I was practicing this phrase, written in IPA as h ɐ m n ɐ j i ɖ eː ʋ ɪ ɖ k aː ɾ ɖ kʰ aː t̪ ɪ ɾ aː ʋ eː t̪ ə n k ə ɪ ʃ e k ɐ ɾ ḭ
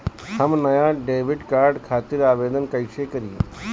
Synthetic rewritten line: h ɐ m n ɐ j a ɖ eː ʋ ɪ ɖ k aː ɾ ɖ kʰ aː t̪ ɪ ɾ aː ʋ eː d̪ ə n k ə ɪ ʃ e k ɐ ɾ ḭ